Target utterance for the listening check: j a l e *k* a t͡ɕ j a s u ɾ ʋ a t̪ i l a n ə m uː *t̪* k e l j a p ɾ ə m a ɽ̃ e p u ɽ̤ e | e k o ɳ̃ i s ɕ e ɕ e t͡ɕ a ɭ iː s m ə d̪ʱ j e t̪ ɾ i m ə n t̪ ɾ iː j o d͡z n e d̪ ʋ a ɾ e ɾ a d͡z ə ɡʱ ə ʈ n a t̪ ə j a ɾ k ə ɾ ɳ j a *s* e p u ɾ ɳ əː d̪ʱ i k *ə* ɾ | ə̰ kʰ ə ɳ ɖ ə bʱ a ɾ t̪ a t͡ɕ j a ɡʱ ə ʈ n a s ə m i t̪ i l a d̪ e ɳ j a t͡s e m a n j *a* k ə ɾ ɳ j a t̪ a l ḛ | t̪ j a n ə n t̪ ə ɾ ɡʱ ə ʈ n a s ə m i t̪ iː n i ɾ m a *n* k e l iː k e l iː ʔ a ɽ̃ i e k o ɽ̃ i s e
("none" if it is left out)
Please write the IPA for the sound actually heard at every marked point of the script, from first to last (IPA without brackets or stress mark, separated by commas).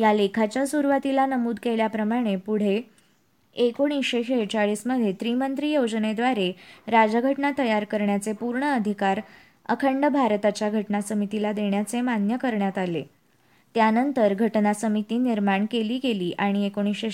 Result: kʰ, d̪, t͡s, a, ə, ɳ